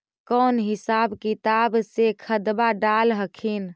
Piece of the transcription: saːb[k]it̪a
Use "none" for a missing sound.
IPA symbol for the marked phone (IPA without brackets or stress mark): k